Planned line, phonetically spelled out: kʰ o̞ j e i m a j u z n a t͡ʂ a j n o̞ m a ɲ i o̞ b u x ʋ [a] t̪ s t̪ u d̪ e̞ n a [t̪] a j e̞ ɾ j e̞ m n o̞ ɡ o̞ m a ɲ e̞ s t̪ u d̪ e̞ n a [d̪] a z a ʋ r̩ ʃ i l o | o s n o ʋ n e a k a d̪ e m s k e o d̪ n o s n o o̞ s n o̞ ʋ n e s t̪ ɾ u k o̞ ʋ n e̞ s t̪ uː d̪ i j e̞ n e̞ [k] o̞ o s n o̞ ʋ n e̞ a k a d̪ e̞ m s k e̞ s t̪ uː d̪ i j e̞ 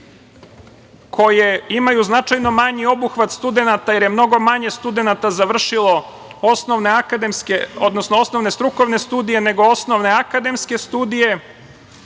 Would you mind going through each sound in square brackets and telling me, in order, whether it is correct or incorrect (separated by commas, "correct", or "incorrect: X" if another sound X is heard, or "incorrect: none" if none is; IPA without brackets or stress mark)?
correct, correct, incorrect: t̪, incorrect: ɡ